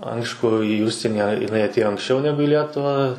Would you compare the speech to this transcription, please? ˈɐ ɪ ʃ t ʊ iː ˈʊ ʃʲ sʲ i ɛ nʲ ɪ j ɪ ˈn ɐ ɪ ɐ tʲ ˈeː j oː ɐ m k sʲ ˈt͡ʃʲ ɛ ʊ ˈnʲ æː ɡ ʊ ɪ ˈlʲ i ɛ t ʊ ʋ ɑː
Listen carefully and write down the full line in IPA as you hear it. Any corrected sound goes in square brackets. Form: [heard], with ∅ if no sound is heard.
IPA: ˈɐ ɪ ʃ [k] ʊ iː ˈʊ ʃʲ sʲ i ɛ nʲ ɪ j ɪ ˈn ɐ ɪ ɐ tʲ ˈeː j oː ɐ [ŋ] k sʲ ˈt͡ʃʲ ɛ ʊ ˈnʲ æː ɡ ʊ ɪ ˈlʲ i ɛ t ʊ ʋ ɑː

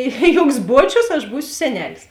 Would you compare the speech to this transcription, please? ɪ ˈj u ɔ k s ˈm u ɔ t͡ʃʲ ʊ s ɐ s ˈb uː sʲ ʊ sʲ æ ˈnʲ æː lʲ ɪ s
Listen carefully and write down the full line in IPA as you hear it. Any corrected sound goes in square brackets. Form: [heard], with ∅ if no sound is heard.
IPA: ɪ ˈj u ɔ k s [ˈb] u ɔ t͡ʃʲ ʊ s ɐ [ʃ] ˈb uː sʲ ʊ sʲ [ɛ] ˈnʲ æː lʲ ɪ s

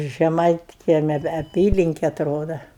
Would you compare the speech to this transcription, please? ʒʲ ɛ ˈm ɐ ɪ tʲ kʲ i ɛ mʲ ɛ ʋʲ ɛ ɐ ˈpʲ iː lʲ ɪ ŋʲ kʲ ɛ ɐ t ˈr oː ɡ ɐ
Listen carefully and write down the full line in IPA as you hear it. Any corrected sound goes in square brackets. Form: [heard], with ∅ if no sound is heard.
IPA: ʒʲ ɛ ˈm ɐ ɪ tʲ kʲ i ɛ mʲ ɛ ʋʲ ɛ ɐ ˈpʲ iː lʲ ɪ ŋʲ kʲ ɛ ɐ t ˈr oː [d] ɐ

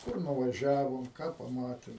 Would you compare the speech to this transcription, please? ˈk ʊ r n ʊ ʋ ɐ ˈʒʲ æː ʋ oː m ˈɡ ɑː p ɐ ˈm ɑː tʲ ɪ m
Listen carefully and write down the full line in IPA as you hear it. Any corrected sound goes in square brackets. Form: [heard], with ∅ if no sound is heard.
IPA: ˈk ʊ r n ʊ ʋ ɐ ˈʒʲ æː ʋ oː m [ˈk] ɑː p ɐ ˈm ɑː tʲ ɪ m

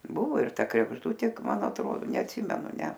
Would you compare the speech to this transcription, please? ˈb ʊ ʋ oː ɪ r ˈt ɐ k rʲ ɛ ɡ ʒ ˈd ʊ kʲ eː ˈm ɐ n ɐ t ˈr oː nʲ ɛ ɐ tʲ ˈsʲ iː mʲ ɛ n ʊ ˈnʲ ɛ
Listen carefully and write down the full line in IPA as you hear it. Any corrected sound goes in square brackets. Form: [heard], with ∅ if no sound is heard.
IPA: ˈb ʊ ʋ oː ɪ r ˈt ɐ k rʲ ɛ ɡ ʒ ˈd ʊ [tʲ] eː ˈm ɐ n ɐ t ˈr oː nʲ ɛ ɐ tʲ ˈsʲ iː mʲ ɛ n ʊ ˈnʲ ɛ

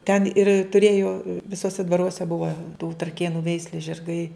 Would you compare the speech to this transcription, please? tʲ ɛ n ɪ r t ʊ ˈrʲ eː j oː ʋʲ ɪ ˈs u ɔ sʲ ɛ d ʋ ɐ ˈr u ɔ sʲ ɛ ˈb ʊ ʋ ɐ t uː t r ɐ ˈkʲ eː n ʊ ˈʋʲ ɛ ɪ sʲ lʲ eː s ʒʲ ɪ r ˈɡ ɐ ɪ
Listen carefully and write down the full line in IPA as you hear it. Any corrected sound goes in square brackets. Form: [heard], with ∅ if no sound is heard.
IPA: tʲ ɛ n ɪ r t ʊ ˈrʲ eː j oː ʋʲ ɪ ˈs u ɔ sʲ ɛ d ʋ ɐ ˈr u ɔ sʲ ɛ ˈb ʊ ʋ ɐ t uː t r ɐ ˈkʲ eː n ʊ ˈʋʲ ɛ ɪ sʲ lʲ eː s ʒʲ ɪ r ˈɡ ɐ ɪ

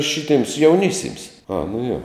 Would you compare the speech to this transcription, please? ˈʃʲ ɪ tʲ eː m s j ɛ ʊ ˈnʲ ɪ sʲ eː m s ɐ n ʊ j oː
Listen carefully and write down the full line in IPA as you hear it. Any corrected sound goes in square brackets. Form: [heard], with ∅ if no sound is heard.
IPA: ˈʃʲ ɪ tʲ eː m s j ɛ ʊ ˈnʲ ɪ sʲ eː m s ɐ n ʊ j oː

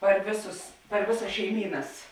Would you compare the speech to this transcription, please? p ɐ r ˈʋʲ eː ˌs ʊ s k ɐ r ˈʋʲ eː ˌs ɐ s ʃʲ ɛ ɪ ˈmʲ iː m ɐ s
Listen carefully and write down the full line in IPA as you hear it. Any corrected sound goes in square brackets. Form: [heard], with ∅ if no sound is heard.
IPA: p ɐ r ˈʋʲ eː ˌs ʊ s [p] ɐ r ˈʋʲ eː ˌs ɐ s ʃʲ ɛ ɪ ˈmʲ iː [n] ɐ s

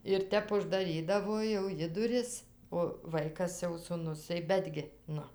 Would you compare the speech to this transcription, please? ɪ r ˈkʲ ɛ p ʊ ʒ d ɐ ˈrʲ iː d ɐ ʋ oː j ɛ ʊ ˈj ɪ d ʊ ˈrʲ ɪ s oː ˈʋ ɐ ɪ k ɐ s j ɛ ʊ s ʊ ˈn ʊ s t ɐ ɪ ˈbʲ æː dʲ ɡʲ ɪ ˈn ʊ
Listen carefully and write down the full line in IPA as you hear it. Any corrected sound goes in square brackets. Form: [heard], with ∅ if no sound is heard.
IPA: ɪ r [ˈtʲ] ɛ p ʊ ʒ d ɐ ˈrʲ iː d ɐ ʋ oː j ɛ ʊ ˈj ɪ d ʊ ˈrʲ ɪ s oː ˈʋ ɐ ɪ k ɐ s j ɛ ʊ s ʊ ˈn ʊ s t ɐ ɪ ˈbʲ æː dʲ ɡʲ ɪ ˈn ʊ

